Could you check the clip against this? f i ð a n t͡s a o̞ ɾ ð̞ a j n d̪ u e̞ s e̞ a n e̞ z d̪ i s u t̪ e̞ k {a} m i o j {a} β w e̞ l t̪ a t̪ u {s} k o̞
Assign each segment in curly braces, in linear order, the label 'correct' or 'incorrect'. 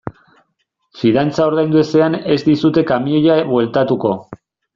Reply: correct, correct, incorrect

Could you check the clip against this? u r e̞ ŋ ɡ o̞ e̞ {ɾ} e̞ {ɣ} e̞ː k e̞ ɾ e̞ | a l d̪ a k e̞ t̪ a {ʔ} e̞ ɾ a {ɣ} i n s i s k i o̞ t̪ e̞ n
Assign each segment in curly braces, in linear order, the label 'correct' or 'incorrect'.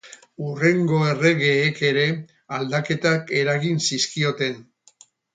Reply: incorrect, correct, incorrect, correct

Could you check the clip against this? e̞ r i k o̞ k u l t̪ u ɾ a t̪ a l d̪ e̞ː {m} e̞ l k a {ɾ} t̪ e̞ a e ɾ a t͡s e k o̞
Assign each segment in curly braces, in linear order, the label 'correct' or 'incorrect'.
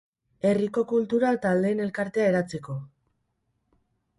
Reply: incorrect, correct

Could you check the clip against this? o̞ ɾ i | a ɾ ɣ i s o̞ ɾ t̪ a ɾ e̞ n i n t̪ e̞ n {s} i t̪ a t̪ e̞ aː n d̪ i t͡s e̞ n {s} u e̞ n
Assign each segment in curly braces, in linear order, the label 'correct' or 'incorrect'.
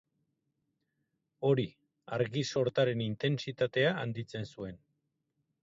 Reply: correct, correct

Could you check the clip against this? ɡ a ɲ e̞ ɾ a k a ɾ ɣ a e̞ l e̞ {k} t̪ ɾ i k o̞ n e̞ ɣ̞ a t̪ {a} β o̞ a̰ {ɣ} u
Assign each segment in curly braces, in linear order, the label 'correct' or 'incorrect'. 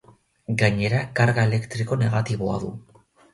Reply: correct, incorrect, incorrect

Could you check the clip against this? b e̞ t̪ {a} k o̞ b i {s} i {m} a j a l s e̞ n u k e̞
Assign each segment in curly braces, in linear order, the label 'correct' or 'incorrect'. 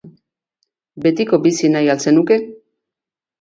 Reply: incorrect, correct, incorrect

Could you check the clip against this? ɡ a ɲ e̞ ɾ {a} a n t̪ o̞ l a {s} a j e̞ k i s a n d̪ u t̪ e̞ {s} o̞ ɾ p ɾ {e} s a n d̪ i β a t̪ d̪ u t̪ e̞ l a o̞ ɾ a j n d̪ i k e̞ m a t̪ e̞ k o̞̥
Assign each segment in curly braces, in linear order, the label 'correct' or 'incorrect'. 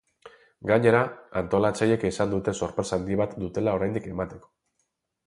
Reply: correct, incorrect, correct, correct

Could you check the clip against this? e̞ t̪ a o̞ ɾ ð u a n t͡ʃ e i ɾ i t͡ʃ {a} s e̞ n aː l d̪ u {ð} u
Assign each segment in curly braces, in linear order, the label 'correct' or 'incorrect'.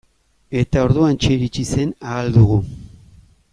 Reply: incorrect, incorrect

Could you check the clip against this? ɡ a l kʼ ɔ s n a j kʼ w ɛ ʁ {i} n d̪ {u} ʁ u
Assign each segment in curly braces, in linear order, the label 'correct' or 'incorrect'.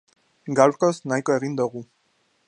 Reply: correct, incorrect

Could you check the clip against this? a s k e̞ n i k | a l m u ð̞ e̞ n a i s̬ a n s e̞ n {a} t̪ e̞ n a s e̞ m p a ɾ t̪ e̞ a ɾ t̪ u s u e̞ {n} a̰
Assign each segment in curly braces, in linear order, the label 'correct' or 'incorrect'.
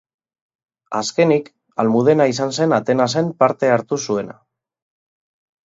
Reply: correct, correct

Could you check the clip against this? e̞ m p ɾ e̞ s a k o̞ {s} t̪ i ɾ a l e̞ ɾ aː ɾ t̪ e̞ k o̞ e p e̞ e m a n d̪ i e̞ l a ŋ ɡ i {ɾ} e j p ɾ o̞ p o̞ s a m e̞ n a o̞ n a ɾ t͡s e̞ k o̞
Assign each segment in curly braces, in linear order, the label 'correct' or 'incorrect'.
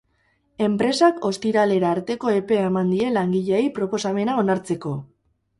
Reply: correct, incorrect

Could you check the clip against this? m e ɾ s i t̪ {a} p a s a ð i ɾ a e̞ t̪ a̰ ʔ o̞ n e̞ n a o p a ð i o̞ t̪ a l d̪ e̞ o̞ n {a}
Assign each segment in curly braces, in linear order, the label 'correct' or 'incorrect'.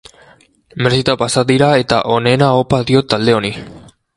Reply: correct, incorrect

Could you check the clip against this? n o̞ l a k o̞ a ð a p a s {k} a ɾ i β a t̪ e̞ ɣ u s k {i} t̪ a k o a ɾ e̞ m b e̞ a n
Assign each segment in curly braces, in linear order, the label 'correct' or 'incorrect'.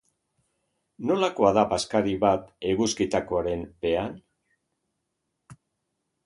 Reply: correct, correct

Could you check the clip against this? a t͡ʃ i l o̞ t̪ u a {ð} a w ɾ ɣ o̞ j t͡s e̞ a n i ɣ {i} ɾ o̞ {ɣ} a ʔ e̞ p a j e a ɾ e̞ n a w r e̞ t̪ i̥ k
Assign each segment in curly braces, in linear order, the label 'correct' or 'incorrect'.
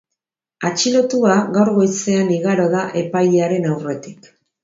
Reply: incorrect, incorrect, incorrect

